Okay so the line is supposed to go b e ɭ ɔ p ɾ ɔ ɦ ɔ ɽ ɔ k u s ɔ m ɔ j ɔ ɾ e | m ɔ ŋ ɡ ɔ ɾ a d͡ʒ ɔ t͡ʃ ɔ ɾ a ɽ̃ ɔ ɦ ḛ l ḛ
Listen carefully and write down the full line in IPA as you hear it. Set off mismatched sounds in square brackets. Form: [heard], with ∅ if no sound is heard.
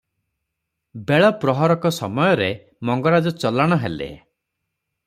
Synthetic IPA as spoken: b e ɭ ɔ p ɾ ɔ ɦ ɔ [ɾ] ɔ k [ɔ] s ɔ m ɔ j ɔ ɾ e | m ɔ ŋ ɡ ɔ ɾ a d͡ʒ ɔ t͡ʃ ɔ [l] a ɽ̃ ɔ ɦ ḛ l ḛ